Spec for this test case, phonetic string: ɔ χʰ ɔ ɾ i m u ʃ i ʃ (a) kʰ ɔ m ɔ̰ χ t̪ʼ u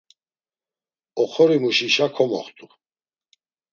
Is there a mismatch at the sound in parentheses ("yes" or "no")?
no